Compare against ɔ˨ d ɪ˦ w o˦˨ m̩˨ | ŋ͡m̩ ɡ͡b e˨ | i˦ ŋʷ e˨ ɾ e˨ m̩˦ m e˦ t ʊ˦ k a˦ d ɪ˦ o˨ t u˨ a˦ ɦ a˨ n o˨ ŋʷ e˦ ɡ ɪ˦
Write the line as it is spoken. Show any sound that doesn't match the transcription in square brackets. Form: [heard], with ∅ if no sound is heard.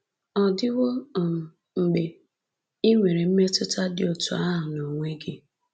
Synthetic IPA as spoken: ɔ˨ d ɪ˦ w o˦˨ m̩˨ | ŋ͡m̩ ɡ͡b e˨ | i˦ ŋʷ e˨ ɾ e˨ m̩˦ m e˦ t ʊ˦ [t] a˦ d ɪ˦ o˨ t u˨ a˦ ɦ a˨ n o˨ ŋʷ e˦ ɡ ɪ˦